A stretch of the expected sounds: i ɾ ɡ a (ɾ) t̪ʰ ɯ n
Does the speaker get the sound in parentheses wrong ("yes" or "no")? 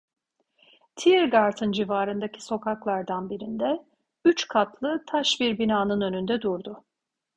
no